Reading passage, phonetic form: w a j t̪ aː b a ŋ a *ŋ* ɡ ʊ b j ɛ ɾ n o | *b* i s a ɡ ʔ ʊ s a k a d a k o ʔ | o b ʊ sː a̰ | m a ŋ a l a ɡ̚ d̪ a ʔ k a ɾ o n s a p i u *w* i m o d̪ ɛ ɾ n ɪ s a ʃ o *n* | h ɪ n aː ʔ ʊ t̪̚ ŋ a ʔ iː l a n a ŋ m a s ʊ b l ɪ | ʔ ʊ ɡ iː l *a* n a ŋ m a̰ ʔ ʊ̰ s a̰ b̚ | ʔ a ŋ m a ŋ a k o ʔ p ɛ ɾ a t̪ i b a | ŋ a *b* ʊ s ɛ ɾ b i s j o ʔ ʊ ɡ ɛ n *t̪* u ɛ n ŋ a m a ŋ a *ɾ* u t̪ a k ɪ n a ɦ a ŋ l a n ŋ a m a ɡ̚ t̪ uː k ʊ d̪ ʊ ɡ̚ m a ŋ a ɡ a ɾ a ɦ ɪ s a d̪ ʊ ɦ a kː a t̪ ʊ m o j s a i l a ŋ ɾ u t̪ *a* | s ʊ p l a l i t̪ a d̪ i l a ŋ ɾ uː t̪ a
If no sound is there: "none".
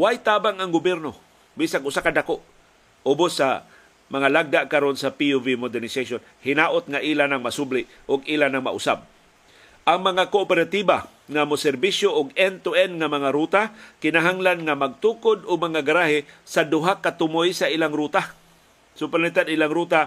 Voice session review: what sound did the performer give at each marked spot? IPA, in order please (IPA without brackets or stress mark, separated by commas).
ŋ, b, v, n, a, m, t̪, ɾ, a